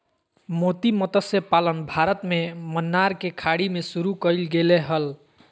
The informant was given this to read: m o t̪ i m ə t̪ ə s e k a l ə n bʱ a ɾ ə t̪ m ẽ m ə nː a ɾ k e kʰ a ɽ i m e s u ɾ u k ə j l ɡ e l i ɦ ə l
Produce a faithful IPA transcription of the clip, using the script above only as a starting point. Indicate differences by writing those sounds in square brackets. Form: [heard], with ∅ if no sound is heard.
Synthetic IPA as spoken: m o t̪ i m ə t̪ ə s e [p] a l ə n bʱ a ɾ ə t̪ m [e] m ə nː a ɾ k e kʰ a ɽ i m e s u ɾ u k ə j l ɡ e l [e] ɦ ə l